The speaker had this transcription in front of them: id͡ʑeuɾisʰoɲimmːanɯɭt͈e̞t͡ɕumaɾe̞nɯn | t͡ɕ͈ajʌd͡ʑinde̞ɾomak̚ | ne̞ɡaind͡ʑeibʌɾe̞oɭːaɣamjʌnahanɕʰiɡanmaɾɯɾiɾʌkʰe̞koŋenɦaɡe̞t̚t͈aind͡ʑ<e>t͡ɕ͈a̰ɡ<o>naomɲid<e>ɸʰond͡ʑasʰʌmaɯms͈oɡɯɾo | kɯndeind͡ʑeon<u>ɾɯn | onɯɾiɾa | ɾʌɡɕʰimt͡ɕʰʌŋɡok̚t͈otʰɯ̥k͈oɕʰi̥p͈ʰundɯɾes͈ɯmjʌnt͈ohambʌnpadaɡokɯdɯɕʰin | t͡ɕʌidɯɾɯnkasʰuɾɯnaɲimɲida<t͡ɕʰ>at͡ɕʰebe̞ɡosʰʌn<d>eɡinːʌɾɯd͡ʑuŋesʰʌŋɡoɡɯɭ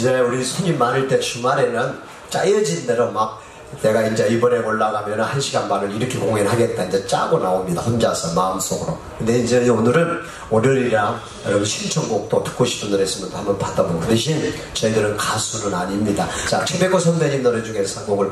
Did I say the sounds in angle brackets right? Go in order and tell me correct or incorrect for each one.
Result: correct, correct, incorrect, incorrect, incorrect, correct

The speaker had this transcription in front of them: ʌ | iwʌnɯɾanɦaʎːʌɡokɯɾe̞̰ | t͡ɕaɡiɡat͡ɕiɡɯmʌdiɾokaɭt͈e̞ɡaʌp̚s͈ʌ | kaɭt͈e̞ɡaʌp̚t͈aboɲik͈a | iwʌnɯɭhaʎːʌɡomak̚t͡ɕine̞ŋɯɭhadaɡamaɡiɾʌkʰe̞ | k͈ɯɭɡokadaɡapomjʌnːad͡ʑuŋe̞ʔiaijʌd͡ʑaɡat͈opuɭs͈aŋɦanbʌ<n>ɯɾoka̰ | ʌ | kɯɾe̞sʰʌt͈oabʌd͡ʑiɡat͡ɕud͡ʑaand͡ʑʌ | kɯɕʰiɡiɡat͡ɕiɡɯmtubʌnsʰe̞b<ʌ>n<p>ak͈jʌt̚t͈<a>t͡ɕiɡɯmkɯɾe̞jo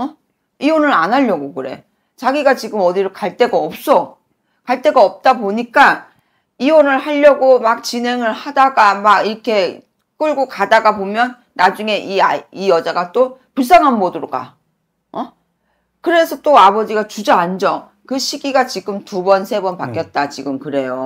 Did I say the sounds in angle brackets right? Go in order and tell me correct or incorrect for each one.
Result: incorrect, correct, correct, correct

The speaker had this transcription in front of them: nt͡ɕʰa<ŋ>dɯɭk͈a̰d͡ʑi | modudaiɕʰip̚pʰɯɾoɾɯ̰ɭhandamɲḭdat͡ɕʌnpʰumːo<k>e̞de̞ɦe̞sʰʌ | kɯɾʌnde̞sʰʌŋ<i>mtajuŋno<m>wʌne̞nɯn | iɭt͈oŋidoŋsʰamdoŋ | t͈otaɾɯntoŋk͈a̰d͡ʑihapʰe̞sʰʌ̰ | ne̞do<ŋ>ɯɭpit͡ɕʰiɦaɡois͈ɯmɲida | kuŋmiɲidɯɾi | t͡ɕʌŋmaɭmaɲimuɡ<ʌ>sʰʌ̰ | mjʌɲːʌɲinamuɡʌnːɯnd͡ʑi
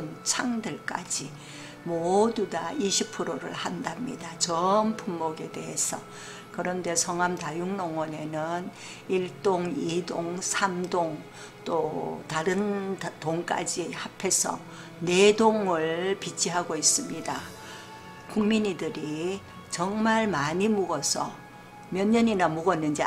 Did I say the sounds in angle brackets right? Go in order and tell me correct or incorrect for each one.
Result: correct, incorrect, incorrect, incorrect, correct, correct

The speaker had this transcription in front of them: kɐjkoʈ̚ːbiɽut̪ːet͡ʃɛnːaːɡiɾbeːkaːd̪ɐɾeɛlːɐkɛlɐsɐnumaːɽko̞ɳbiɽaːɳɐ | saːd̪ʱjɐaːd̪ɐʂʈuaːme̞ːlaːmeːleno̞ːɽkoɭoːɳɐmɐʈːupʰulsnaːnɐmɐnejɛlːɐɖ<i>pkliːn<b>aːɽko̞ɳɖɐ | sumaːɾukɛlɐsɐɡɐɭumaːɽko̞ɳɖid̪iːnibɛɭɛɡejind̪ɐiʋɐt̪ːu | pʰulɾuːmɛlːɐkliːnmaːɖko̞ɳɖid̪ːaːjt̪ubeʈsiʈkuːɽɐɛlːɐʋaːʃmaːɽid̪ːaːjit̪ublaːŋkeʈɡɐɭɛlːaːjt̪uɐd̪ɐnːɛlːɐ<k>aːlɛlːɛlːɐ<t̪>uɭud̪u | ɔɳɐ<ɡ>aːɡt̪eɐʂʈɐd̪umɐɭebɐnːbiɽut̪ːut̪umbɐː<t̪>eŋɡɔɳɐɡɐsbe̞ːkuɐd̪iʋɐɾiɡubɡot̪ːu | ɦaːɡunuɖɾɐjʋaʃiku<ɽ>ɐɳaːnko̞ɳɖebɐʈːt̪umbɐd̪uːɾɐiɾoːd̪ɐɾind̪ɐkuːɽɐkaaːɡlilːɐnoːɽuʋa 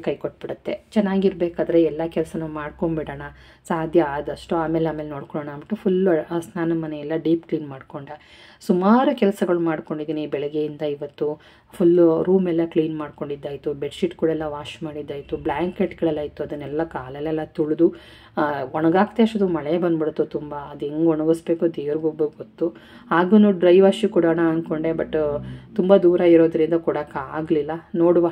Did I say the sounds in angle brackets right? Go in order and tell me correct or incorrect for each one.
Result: incorrect, incorrect, correct, correct, correct, incorrect, correct

